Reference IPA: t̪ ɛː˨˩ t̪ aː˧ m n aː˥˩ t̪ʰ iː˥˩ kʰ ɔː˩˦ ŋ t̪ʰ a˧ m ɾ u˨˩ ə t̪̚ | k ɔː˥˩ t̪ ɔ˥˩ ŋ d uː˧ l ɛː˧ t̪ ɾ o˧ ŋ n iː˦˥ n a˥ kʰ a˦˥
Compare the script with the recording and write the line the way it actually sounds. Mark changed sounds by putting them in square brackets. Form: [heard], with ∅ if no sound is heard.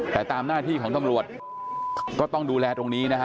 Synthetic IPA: t̪ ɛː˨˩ t̪ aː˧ m n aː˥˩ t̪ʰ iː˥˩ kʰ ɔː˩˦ ŋ [t̪] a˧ m ɾ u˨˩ ə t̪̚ | k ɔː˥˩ t̪ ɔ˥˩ ŋ d uː˧ l ɛː˧ t̪ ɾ o˧ ŋ n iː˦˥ n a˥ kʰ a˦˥